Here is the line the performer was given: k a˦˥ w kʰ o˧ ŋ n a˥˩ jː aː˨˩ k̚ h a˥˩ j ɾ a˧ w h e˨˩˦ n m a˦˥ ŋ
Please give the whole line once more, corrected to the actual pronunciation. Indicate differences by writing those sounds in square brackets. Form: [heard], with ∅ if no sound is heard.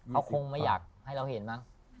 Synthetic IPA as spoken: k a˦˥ w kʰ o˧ ŋ [m] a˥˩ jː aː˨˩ k̚ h a˥˩ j ɾ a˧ w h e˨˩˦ n m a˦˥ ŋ